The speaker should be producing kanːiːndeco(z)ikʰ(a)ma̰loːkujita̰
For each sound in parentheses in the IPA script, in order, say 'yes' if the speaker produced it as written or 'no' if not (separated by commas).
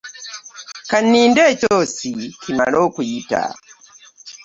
no, no